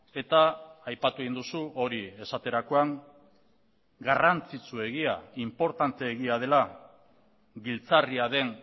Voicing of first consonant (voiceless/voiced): voiceless